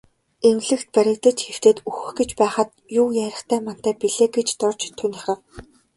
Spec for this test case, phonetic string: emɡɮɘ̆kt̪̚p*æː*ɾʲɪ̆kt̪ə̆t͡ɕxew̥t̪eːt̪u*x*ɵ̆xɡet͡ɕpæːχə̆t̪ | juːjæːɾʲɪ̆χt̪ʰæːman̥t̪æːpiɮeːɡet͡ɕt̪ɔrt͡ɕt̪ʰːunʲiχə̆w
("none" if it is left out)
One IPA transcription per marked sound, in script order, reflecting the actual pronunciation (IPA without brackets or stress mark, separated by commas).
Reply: æ, x